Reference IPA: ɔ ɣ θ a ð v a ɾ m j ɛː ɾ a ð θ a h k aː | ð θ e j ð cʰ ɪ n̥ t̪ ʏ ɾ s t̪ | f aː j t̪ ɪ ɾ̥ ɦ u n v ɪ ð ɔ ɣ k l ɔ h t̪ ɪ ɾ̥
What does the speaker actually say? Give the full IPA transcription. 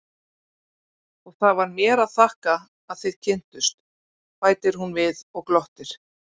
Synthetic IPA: ɔ ɣ θ a ð v a ɾ m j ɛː ɾ a ð θ a h k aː | ð θ e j ð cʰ ɪ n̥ t̪ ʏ s t̪ | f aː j t̪ ɪ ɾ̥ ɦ u n v ɪ ð ɔ ɣ k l ɔ h t̪ ɪ ɾ̥